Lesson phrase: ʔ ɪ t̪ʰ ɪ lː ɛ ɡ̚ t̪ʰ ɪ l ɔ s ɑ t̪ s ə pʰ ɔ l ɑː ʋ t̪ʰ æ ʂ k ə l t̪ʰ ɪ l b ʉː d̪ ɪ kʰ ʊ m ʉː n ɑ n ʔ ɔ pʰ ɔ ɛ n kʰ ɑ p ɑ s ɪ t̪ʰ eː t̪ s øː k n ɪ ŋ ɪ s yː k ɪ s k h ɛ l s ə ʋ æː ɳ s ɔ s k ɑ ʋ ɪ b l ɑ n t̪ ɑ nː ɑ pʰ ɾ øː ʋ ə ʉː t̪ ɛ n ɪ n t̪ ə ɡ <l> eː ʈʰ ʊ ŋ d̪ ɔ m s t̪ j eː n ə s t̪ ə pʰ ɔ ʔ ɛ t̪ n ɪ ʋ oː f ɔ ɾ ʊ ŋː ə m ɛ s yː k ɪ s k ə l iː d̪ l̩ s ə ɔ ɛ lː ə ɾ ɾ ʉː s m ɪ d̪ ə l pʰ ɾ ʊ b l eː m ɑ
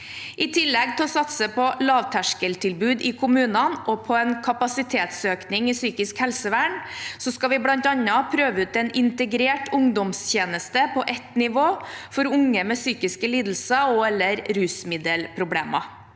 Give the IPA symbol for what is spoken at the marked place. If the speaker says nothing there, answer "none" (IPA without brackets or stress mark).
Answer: ɾ